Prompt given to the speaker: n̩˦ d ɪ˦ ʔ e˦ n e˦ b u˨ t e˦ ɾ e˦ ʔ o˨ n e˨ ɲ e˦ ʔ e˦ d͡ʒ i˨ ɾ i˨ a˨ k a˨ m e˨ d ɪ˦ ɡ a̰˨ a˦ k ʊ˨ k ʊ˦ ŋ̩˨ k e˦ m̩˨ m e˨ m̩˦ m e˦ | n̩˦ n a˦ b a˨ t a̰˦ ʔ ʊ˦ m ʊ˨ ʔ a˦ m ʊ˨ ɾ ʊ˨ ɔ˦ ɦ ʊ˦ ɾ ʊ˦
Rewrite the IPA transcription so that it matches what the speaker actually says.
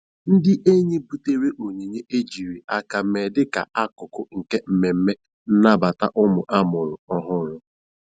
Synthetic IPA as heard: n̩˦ d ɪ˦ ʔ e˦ ɲ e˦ b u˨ t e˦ ɾ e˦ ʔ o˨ ɲ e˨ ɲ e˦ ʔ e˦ d͡ʒ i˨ ɾ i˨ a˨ k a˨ m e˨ d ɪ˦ k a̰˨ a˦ k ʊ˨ k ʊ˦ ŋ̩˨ k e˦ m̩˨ m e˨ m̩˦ m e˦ | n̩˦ n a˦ b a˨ t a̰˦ ʔ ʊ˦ m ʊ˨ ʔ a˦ m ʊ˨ ɾ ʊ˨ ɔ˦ ɦ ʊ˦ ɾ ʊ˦

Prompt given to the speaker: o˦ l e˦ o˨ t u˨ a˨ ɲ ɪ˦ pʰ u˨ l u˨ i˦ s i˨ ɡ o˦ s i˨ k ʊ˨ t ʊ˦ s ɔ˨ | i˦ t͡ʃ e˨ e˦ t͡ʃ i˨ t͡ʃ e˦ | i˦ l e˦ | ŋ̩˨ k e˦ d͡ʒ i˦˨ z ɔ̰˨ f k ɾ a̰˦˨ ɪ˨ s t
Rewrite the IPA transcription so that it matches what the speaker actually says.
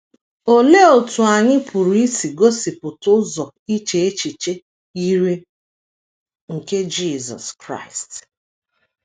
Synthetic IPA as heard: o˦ l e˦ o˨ t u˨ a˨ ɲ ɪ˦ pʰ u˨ ɾ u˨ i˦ s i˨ ɡ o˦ s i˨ p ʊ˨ t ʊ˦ z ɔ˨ | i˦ t͡ʃ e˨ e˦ t͡ʃ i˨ t͡ʃ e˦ | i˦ ɾ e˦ | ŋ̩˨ k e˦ d͡ʒ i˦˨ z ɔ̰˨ s k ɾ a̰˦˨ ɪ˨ s t

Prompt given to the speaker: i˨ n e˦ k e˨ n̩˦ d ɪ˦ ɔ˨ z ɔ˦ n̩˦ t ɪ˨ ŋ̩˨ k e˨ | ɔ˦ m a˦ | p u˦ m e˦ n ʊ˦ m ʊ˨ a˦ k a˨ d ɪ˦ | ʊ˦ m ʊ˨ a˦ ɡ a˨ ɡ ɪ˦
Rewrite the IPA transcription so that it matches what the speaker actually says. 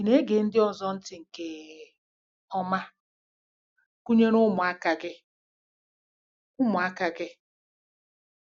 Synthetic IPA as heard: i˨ n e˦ ɡ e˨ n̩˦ d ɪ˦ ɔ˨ z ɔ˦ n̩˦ t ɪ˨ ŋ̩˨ k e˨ | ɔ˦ m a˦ | k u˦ ɲ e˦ n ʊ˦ m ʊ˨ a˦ k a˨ ɡ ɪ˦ | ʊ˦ m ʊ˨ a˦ k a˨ ɡ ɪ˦

